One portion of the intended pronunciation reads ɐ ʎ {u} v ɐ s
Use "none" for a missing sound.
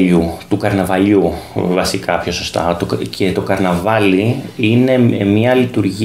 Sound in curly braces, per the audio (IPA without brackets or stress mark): u